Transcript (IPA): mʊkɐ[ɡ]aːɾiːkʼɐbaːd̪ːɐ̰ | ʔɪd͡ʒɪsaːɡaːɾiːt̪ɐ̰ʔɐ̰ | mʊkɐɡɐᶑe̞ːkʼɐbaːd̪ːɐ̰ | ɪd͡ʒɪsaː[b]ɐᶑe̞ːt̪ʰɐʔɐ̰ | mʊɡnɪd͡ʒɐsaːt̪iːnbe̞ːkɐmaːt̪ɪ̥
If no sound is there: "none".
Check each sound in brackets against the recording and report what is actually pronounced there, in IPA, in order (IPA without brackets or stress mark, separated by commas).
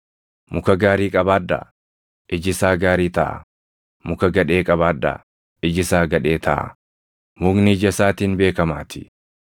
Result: ɡ, ɡ